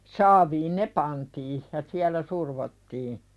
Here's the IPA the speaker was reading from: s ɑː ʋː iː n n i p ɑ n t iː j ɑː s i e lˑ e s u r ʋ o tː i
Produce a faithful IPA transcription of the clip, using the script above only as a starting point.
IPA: s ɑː ʋ iː n n e p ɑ n t iː j ɑ s i æ lˑ æ s u r ʋ o tː iː